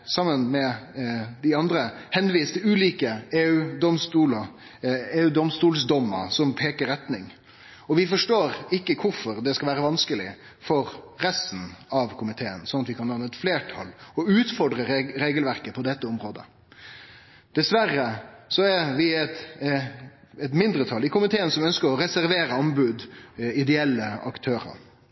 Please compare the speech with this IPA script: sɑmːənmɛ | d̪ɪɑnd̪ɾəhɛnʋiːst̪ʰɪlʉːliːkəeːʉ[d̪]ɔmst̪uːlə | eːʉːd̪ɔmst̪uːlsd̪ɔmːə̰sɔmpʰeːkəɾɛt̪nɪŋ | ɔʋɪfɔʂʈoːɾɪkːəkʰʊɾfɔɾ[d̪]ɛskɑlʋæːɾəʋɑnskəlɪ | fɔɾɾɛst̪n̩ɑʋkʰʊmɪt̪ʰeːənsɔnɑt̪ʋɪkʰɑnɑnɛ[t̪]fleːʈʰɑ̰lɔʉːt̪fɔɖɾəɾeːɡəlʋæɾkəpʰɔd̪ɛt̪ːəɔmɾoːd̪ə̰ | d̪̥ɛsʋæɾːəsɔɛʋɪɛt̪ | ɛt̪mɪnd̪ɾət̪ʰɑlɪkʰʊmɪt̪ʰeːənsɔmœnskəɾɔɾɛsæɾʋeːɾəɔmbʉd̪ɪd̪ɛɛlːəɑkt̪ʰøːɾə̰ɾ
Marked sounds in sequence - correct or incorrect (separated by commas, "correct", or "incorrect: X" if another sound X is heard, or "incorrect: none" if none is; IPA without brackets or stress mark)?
correct, correct, correct